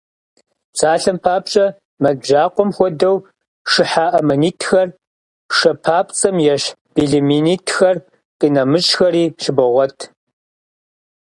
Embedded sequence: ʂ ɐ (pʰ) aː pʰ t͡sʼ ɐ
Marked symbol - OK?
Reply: yes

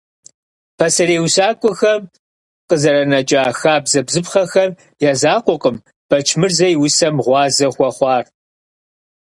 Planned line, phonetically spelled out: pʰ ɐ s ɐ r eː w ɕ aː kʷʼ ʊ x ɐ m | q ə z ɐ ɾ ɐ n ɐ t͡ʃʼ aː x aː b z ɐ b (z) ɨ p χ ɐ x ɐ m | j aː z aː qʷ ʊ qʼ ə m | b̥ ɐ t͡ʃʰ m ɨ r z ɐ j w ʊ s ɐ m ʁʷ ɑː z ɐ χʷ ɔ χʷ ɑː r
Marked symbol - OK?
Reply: yes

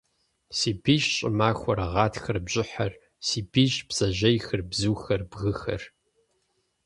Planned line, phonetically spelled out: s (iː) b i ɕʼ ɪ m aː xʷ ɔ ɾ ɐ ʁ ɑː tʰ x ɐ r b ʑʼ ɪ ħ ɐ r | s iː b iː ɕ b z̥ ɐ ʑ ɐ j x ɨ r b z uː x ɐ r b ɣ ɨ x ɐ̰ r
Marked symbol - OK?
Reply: yes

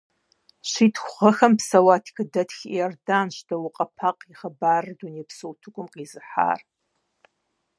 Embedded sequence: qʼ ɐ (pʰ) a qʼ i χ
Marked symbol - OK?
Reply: yes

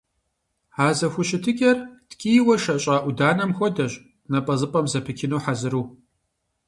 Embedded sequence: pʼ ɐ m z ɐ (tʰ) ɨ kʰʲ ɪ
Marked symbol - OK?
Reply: no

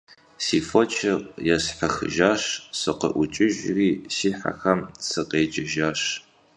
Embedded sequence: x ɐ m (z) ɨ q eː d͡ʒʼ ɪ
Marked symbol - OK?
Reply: no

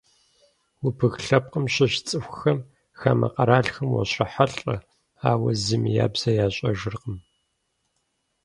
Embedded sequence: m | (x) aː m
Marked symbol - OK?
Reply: yes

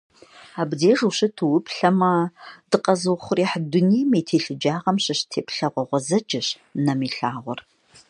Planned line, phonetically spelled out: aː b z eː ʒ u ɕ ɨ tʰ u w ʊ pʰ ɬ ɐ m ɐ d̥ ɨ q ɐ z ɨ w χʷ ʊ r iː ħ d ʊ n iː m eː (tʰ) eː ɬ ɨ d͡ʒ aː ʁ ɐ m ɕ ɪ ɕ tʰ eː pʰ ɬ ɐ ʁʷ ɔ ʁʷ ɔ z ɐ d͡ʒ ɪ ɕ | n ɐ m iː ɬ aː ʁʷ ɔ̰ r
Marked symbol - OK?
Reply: yes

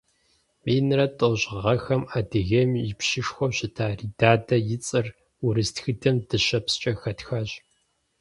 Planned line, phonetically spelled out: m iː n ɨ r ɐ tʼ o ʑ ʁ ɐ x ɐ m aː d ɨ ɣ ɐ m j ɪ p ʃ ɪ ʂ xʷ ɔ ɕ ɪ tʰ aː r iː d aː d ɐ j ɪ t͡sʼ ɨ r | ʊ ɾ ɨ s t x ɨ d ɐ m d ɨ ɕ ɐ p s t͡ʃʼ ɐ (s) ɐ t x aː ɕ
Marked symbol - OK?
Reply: no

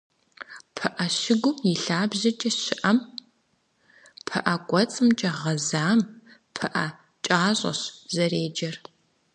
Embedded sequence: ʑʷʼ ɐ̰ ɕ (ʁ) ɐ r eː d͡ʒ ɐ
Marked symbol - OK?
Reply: no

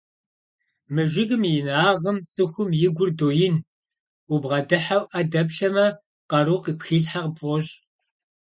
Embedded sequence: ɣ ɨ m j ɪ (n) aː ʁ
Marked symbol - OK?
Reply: yes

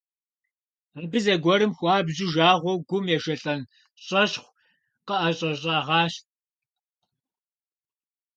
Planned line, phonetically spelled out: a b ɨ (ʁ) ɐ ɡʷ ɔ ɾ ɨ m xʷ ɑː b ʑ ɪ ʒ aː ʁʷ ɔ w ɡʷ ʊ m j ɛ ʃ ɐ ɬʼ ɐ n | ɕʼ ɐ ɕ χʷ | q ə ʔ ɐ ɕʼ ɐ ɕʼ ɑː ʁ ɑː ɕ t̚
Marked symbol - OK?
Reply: no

